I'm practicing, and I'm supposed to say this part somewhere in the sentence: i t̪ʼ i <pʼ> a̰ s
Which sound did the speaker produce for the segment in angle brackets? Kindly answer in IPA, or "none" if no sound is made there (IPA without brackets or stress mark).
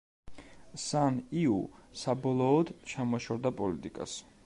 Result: kʼ